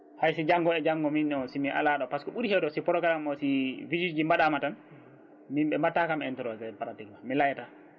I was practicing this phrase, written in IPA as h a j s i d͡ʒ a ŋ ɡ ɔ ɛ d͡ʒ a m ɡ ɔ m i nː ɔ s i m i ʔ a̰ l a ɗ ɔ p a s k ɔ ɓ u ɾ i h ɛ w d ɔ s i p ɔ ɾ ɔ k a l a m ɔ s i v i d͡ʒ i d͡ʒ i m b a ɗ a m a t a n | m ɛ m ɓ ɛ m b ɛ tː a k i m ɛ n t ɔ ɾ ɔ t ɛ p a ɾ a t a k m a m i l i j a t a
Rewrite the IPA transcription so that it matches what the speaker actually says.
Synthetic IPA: h a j s i d͡ʒ a ŋ ɡ ɔ ɛ d͡ʒ a ŋ ɡ ɔ m i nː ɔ s i m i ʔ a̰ l a ɗ ɔ p a s k ɔ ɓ u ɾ i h ɛ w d ɔ s i p ɔ ɾ ɔ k a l a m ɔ s i v i d͡ʒ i d͡ʒ i m b a ɗ a m a t a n | m i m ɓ ɛ m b a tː a k a m ɛ n t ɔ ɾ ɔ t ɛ p a ɾ a t i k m a m i l a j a t a